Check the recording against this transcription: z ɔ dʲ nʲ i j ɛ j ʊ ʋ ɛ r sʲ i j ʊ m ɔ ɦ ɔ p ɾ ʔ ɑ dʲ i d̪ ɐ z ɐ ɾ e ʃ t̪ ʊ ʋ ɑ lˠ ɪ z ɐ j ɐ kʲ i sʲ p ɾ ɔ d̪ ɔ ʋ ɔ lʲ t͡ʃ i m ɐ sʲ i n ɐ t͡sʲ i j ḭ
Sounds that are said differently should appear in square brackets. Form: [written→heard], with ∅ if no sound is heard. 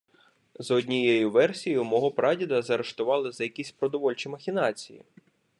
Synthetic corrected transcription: z ɔ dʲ nʲ i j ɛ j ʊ ʋ ɛ r sʲ i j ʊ m ɔ ɦ ɔ p ɾ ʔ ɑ dʲ i d̪ ɐ z ɐ ɾ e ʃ t̪ ʊ ʋ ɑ lˠ ɪ z ɐ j ɐ kʲ i sʲ p ɾ ɔ d̪ ɔ ʋ ɔ lʲ t͡ʃ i m ɐ [sʲ→xʲ] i n [ɐ→ɑ] t͡sʲ i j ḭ